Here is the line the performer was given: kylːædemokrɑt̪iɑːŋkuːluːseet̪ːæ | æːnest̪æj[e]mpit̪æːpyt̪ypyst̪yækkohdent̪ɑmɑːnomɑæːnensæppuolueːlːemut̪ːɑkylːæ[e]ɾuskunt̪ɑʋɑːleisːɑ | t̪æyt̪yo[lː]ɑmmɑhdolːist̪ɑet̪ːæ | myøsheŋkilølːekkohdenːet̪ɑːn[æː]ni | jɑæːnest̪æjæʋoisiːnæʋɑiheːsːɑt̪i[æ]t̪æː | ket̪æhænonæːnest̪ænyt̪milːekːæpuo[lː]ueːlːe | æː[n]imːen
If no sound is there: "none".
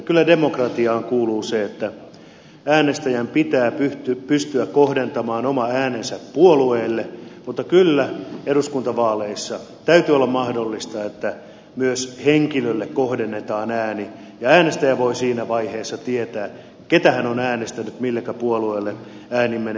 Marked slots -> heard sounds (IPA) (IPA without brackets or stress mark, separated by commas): æ, e, lː, æː, e, l, n